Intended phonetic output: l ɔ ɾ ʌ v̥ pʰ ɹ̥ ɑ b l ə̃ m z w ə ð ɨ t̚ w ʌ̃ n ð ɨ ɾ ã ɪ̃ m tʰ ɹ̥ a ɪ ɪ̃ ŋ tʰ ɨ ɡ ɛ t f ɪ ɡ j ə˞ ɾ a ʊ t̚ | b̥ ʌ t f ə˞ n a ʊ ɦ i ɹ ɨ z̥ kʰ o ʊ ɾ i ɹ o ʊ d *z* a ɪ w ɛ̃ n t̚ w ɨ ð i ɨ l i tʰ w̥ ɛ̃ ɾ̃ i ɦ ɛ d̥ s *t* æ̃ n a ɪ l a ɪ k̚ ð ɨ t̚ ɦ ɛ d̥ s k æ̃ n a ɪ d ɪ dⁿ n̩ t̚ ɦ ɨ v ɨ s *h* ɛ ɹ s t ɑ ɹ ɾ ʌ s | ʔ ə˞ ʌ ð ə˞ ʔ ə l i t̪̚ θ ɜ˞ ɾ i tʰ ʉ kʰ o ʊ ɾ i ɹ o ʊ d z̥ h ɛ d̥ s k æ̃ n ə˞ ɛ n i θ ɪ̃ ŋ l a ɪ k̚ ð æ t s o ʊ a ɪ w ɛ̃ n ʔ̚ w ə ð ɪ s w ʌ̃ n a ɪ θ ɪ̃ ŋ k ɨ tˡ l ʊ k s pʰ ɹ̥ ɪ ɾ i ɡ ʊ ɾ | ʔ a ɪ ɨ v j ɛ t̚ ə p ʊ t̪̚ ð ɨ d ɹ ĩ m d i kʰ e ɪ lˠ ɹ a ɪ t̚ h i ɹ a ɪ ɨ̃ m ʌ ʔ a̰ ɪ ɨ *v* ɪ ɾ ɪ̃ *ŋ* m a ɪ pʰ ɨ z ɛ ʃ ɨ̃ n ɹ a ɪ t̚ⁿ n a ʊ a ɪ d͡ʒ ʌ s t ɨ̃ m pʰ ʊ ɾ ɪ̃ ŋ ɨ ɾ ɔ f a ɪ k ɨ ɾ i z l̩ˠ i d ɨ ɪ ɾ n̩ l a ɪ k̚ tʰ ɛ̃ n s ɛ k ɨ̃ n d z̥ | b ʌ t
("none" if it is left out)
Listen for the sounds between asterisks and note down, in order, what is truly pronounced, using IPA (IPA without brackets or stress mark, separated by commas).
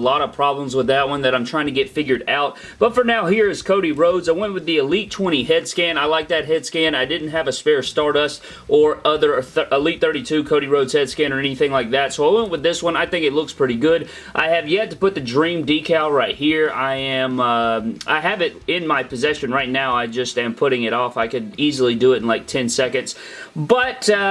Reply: z, k, f, v, n